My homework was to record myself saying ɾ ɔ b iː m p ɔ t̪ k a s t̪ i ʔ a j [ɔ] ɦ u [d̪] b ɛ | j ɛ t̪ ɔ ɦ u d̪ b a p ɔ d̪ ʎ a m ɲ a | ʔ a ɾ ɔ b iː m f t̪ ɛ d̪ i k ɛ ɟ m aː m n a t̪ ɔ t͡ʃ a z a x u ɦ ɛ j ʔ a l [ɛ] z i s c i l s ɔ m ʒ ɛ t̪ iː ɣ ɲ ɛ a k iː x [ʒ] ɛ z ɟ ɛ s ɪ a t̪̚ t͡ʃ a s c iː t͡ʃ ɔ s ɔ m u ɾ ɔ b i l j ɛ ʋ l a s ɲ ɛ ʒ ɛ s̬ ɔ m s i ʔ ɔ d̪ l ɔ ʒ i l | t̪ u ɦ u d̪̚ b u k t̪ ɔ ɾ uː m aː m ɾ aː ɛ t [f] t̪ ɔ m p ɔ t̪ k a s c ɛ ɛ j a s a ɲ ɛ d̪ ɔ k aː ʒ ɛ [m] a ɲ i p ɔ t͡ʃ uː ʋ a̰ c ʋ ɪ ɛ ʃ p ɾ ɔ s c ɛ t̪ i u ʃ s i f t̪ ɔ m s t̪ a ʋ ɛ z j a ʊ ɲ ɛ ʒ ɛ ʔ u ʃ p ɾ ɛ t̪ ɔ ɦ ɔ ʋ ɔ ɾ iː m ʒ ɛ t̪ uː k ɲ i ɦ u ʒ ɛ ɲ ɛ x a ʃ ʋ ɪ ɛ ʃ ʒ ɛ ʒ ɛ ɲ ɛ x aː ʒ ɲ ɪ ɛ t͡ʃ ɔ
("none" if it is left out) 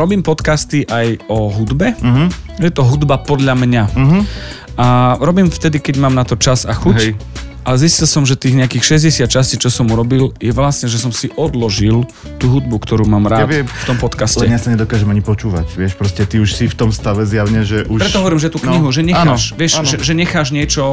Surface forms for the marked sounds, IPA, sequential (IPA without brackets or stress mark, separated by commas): ɔ, d̪, ɛ, ʃ, f, m